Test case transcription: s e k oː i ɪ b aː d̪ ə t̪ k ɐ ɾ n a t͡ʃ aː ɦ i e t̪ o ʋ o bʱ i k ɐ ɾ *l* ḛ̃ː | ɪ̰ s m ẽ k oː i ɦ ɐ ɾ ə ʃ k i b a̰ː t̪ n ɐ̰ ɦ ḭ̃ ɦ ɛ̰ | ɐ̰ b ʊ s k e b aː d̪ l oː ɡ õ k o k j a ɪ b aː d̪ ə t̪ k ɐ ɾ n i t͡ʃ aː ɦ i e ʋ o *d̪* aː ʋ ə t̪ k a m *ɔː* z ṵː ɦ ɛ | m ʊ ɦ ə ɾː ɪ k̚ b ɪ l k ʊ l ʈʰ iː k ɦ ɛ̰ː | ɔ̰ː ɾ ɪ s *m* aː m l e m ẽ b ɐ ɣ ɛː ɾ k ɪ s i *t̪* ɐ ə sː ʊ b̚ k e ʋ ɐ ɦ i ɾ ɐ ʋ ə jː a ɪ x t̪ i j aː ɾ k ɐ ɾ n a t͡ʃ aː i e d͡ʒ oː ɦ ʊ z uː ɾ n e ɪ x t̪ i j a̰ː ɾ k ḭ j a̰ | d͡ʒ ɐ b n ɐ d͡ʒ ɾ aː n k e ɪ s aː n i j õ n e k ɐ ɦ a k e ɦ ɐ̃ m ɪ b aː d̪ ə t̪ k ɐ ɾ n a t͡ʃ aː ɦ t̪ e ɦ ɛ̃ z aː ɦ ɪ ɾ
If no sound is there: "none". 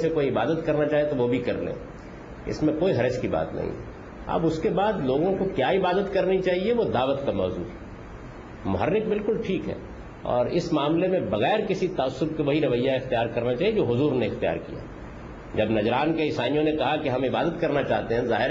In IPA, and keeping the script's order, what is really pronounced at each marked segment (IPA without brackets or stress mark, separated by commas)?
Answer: l, d̪, ɔː, m, t̪